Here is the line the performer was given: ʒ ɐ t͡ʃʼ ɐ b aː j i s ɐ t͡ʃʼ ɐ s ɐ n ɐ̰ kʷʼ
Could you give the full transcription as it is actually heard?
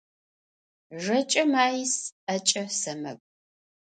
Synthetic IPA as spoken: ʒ ɐ t͡ʃʼ ɐ m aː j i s ɐ t͡ʃʼ ɐ s ɐ m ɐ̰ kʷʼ